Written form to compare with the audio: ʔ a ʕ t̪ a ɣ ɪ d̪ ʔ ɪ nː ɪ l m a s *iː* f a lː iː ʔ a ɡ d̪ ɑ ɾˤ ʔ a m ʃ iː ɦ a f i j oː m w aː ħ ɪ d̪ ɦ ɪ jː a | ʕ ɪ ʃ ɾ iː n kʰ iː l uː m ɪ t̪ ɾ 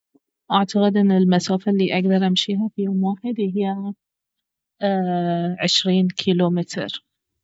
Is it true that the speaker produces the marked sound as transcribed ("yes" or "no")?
no